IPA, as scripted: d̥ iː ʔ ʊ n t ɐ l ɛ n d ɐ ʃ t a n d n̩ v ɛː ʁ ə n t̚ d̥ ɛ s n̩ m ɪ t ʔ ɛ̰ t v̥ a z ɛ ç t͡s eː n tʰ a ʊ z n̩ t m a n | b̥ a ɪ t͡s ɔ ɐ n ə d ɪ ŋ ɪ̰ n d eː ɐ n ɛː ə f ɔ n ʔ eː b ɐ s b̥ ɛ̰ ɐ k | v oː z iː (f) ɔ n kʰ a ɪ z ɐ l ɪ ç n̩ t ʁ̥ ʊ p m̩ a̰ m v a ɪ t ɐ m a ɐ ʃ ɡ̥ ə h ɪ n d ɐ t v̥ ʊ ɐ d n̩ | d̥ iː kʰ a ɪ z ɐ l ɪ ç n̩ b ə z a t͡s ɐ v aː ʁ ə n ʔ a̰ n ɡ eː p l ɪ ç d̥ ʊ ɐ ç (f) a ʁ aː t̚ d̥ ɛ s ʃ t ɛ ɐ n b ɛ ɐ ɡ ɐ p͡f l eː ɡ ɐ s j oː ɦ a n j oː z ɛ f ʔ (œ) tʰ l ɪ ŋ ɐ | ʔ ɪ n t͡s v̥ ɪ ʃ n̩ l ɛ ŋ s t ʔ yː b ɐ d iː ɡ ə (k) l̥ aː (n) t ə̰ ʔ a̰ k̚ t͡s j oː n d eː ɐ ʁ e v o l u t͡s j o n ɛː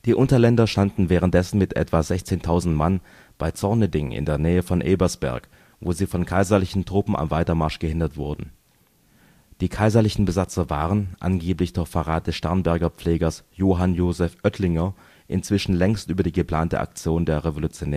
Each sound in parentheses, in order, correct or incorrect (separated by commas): correct, correct, correct, incorrect, correct